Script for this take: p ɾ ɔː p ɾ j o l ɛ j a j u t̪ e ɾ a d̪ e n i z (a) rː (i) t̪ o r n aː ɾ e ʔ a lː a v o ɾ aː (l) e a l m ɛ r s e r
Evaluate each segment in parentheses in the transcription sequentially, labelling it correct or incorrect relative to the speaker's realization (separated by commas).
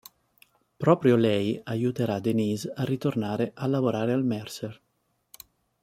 correct, correct, incorrect